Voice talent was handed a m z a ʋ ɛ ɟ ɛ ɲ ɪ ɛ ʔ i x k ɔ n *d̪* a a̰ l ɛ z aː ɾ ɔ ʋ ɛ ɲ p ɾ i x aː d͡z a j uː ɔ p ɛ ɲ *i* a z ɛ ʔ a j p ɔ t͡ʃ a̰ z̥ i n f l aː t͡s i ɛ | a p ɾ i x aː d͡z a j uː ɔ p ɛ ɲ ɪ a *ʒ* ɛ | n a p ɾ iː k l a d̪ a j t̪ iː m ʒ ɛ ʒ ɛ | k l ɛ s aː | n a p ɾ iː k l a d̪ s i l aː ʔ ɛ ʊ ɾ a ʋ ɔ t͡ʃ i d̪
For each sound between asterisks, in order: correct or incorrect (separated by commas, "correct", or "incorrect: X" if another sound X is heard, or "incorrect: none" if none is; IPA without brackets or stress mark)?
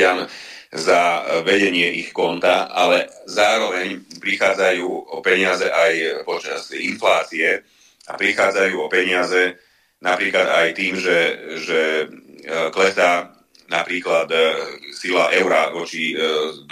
incorrect: t̪, incorrect: ɪ, incorrect: z